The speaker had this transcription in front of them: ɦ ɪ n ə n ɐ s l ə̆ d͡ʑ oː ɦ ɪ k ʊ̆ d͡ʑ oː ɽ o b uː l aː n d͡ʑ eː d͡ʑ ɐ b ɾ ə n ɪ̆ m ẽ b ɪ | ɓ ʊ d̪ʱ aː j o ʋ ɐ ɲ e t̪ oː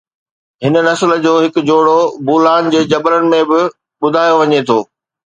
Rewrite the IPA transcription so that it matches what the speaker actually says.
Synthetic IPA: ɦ ɪ n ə n ɐ s l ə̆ d͡ʑ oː ɦ ɪ k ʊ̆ d͡ʑ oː ɽ o b uː l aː n d͡ʑ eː d͡ʑ ɐ b ɾ ə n ɪ̆ m ẽ b ɪ | ɓ ʊ d̪ʱ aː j o ʋ ɐ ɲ e t̪ʰ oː

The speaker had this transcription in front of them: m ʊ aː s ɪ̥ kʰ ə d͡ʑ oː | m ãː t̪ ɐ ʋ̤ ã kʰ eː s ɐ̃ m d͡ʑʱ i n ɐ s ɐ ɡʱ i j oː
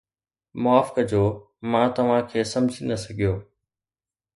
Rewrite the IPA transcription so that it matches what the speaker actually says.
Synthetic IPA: m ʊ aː f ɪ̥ k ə d͡ʑ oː | m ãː t̪ ɐ ʋ̤ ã kʰ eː s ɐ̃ m d͡ʑʱ i n ɐ s ɐ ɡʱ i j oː

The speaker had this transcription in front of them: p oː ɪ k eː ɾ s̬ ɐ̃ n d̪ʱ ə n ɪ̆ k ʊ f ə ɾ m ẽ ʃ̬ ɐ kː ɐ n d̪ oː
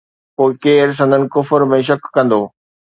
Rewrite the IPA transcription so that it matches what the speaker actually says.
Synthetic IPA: p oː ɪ k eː ɾ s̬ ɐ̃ n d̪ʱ ə n ɪ̆ k ʊ f ə ɾ m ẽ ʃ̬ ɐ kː ɐ̃ n d̪ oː

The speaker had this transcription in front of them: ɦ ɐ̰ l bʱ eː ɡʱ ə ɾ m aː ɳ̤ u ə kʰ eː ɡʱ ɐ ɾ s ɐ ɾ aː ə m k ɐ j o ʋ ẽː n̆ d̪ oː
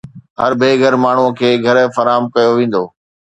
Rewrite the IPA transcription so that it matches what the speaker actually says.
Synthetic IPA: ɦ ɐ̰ ɾ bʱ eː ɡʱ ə ɾ m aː ɳ̤ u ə kʰ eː ɡʱ ɐ ɾ f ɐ ɾ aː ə m k ɐ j o ʋ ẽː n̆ d̪ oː

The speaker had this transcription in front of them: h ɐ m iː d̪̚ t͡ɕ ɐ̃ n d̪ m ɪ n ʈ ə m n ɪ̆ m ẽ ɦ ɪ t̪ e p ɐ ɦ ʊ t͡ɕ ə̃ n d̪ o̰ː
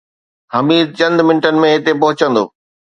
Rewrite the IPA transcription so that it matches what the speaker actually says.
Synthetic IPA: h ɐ m iː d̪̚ t͡ɕ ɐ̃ n d̪ m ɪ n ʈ ə n ɪ̆ m ẽ ɦ ɪ t̪ e p ɐ ɦ ʊ t͡ɕ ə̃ n d̪ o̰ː

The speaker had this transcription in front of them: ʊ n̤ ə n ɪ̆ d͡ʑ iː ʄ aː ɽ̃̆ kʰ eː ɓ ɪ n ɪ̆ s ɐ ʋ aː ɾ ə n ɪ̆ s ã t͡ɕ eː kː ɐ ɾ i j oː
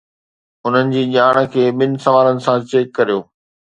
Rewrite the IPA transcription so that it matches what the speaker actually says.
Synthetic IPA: ʊ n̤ ə n ɪ̆ d͡ʑ iː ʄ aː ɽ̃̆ kʰ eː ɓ ɪ n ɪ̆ s ɐ ʋ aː ɾ ə n ɪ̆ s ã t͡ɕ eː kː ɐ ɾ i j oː

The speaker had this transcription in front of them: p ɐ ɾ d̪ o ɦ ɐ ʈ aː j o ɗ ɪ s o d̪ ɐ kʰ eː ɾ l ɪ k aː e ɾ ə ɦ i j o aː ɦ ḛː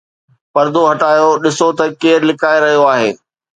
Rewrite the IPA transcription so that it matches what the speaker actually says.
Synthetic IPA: p ɐ ɾ d̪ o ɦ ɐ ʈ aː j o ɗ ɪ s o t̪ ɐ k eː ɾ l ɪ k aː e ɾ ɐ ɦ i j o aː ɦ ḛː

